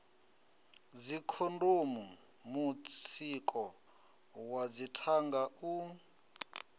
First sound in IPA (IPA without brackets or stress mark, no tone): d͡z